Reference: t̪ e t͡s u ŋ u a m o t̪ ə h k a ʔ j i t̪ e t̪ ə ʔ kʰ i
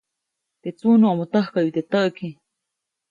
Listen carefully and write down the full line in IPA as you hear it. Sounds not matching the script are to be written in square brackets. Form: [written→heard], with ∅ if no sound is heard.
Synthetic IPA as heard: t̪ e t͡s u [ŋ→n] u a m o t̪ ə h k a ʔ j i t̪ e t̪ ə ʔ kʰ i